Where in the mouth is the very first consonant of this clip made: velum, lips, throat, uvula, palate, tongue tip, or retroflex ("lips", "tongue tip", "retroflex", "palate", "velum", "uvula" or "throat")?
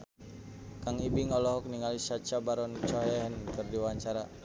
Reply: velum